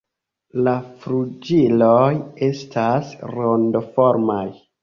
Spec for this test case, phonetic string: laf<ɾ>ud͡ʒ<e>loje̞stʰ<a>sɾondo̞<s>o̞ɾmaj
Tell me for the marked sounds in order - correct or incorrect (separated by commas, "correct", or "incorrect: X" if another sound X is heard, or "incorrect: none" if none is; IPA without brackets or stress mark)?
correct, incorrect: i, correct, incorrect: f